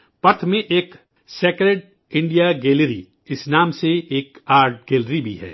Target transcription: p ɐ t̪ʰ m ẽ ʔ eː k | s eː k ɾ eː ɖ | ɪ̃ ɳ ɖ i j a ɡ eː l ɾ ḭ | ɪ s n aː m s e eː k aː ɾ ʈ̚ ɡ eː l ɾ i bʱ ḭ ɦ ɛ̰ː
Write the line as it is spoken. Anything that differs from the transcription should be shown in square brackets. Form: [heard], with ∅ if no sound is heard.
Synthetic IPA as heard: p ɐ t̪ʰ m ẽ ʔ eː k | s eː k ɾ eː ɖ | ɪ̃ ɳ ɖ i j a ɡ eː l ɾ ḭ | ɪ s n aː m s e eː k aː ɾ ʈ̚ ɡ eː l ɾ i bʱ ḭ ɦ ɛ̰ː